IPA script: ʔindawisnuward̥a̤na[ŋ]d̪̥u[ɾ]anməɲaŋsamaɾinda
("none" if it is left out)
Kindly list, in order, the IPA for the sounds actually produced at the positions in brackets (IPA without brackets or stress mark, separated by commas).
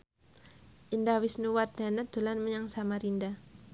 none, l